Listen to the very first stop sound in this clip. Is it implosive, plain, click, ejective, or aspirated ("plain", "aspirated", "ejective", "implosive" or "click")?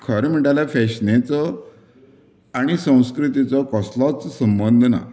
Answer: aspirated